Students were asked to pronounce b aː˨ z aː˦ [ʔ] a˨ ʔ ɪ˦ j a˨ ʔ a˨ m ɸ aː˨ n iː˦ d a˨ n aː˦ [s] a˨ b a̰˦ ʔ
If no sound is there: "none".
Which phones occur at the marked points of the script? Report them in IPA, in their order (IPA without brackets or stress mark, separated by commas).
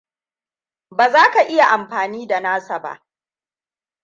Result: k, s